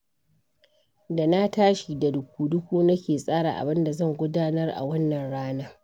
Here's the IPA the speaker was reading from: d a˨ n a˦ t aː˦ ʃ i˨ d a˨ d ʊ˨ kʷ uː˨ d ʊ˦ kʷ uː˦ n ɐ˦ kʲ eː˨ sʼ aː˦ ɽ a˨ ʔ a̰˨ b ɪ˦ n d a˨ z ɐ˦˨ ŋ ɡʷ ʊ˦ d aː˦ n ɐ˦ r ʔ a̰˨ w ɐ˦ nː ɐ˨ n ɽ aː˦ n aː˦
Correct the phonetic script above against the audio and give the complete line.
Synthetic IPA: d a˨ n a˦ t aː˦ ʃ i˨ d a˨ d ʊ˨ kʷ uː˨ d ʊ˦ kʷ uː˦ n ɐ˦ kʲ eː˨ sʼ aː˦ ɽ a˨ ʔ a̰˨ b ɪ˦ n d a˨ z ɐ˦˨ ŋ ɡʷ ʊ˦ d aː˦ n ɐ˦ r ʔ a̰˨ w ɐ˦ nː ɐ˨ n ɽ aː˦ n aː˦

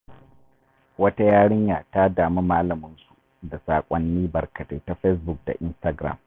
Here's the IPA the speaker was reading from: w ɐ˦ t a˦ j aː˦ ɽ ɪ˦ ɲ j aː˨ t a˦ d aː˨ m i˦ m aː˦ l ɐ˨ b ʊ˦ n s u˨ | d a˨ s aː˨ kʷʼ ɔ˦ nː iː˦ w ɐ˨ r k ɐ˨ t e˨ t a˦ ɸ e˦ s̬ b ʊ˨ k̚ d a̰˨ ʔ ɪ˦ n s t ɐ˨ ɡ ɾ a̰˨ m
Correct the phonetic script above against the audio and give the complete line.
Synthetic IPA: w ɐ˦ t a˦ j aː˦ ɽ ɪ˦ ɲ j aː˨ t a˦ d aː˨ m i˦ m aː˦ l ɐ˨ m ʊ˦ n s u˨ | d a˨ s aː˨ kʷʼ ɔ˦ nː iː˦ b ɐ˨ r k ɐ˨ t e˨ t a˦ ɸ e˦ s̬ b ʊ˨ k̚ d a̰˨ ʔ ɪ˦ n s t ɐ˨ ɡ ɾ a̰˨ m

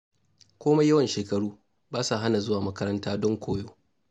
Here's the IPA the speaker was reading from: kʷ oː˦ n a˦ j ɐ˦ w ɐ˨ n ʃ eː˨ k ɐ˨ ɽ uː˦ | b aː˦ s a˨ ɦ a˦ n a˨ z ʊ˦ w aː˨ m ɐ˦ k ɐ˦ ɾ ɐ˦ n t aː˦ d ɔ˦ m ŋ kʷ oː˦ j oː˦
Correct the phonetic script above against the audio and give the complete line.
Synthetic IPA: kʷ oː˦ m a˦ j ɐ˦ w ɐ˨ n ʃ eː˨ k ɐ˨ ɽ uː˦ | b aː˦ s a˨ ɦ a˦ n a˨ z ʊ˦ w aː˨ m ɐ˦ k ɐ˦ ɾ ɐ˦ n t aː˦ d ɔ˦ ŋ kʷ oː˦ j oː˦

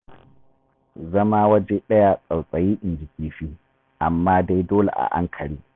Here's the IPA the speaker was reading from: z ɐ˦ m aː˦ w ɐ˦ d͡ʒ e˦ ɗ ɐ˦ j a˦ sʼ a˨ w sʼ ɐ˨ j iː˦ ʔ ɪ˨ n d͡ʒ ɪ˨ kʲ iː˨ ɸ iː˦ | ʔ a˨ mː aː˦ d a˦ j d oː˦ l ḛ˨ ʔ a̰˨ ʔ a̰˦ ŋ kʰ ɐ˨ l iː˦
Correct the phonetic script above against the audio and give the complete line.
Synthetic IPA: z ɐ˦ m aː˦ w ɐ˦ d͡ʒ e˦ ɗ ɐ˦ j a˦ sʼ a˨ w sʼ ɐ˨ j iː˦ ʔ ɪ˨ n d͡ʒ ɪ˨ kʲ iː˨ ɸ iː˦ | ʔ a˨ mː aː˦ d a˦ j d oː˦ l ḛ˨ ʔ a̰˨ ʔ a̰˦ ŋ kʰ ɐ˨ ɽ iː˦

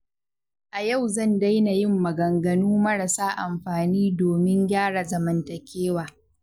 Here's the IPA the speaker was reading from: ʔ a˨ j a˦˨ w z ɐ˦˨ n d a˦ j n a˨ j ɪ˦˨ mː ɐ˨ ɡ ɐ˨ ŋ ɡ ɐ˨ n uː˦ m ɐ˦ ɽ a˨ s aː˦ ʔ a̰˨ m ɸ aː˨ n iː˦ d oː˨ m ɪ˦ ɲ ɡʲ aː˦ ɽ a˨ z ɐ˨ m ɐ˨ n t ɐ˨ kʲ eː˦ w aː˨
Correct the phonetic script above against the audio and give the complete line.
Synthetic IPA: ʔ a˨ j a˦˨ w z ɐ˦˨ n d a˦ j n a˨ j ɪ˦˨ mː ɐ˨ ɡ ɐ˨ ŋ ɡ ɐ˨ n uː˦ m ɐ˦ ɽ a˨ s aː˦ ʔ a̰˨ m ɸ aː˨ n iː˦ d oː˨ m ɪ˦ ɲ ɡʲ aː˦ ɽ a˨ z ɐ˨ m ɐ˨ n t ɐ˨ kʲ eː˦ w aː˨

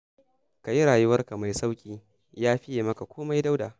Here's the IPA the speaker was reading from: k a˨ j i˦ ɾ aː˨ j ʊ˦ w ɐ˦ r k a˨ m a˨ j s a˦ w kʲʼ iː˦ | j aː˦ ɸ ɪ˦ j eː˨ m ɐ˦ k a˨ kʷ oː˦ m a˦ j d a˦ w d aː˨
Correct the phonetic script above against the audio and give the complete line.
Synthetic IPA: k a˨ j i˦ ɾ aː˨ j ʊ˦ w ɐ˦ r k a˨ m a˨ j s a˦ w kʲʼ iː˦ | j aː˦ ɸ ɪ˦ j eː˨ m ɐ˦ k a˨ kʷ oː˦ m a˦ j d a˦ w d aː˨

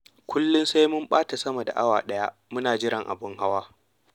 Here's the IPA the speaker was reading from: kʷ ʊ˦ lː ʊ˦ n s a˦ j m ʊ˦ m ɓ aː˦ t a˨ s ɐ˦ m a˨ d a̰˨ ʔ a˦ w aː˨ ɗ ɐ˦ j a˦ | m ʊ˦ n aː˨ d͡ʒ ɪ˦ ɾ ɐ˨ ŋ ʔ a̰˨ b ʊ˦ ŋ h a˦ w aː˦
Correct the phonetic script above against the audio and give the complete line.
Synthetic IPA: kʷ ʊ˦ lː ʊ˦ n s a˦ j m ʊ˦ m ɓ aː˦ t a˨ s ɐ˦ m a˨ d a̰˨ ʔ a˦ w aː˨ ɗ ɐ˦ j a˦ | m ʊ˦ n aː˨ d͡ʒ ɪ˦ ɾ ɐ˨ ŋ ʔ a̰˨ b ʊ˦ ŋ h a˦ w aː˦

